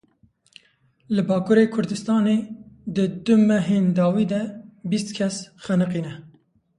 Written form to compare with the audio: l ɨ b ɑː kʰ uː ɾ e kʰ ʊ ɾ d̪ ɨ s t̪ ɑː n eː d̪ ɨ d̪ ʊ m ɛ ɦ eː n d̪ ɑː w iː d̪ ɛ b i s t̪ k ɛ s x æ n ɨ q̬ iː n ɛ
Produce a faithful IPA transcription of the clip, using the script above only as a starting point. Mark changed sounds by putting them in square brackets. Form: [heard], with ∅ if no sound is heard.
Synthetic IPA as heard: l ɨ b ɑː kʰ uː ɾ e kʰ ʊ ɾ d̪ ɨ s t̪ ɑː n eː d̪ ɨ d̪ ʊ m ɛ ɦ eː n d̪ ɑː w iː d̪ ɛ b i s t̪ [kʰ] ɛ s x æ n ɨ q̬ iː n ɛ